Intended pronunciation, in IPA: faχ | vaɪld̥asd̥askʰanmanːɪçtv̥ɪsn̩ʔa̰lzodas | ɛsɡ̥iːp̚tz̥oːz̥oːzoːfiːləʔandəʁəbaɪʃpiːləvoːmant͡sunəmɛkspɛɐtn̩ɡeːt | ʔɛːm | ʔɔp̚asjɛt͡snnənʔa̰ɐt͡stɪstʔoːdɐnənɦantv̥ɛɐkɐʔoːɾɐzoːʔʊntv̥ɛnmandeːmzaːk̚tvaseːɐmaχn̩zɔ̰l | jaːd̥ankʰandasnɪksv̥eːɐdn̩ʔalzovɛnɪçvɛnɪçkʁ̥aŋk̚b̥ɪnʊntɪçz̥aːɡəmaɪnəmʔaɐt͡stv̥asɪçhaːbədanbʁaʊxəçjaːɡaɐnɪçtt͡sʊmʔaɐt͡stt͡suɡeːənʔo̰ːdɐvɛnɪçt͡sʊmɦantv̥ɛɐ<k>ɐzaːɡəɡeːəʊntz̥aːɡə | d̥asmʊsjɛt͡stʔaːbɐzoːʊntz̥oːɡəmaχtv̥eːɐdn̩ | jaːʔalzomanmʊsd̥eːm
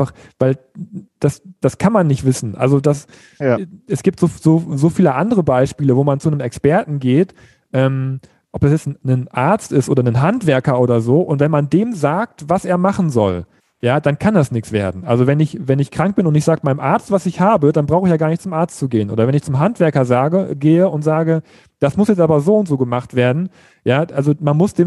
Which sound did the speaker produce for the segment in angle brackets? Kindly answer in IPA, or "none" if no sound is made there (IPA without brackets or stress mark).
k